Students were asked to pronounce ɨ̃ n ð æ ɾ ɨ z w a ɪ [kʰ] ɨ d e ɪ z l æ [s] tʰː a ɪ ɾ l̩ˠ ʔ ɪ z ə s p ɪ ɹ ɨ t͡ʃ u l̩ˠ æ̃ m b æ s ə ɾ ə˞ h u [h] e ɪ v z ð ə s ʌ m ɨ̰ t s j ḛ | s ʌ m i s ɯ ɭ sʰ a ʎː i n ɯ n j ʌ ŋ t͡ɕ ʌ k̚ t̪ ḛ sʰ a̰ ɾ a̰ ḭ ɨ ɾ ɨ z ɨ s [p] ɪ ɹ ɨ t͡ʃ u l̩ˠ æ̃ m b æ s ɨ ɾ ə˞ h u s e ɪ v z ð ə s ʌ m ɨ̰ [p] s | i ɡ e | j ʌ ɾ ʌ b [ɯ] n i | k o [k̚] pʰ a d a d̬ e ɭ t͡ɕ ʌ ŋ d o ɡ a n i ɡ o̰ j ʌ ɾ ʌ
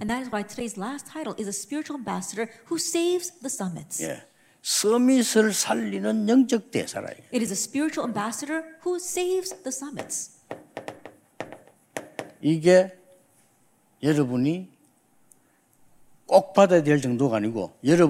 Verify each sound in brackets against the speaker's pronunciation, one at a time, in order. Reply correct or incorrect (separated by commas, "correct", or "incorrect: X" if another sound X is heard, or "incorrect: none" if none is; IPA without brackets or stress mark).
incorrect: tʰ, correct, incorrect: s, correct, incorrect: t, incorrect: u, correct